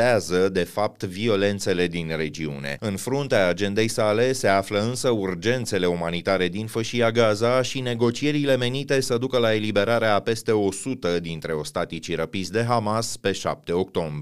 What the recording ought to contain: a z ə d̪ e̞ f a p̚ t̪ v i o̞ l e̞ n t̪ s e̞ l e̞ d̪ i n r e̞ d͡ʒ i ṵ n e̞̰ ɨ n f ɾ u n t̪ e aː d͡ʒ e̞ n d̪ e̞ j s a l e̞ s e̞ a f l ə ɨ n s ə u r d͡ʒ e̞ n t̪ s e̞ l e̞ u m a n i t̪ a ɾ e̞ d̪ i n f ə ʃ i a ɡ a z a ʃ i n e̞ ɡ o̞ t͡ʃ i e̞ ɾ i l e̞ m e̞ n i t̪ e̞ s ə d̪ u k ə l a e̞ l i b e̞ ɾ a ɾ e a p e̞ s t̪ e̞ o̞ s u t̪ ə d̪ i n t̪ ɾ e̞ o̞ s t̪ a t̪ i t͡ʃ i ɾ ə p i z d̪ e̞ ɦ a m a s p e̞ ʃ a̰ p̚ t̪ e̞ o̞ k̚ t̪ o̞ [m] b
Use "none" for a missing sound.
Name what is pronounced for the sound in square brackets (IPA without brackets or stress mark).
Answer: m